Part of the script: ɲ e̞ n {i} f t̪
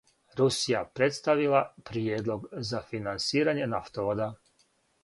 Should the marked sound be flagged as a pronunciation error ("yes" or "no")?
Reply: yes